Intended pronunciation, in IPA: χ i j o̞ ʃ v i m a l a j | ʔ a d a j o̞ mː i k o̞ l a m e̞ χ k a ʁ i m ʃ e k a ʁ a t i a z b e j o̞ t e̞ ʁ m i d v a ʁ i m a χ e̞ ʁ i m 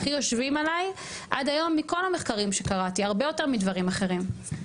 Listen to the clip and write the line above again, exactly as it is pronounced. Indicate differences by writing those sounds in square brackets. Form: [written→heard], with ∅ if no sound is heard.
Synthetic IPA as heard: χ i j o̞ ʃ v i m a l a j | ʔ a d a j o̞ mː i k o̞ l a m e̞ χ k a ʁ i m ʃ e k a ʁ a t i a [z→ʁ] b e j o̞ t e̞ ʁ m i d v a ʁ i m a χ e̞ ʁ i m